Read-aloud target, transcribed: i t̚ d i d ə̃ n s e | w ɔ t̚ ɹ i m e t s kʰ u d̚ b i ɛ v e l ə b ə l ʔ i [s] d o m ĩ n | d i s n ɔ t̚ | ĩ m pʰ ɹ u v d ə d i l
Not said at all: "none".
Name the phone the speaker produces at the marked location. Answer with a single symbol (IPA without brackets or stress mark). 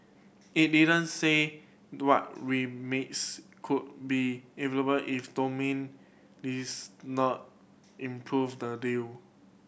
f